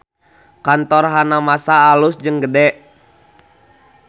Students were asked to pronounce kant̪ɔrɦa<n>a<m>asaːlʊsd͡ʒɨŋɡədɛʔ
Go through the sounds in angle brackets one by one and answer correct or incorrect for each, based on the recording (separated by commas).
correct, correct